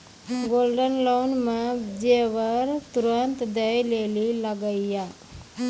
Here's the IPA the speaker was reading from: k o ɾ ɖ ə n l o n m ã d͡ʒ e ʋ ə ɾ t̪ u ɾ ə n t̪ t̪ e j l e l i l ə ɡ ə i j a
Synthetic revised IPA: ɡ o l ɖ ə n l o n m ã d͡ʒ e ʋ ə ɾ t̪ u ɾ ə n t̪ d̪ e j l e l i l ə ɡ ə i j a